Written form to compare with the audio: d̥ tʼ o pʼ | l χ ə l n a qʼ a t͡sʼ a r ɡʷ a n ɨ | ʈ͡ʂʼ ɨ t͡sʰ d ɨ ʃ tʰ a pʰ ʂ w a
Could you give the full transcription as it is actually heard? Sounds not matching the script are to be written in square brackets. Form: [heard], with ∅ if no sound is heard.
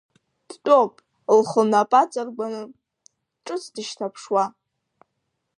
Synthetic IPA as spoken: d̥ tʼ o pʼ | l χ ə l n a [pʼ] a t͡sʼ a r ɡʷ a n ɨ | ʈ͡ʂʼ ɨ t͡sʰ d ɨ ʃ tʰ a pʰ ʂ w a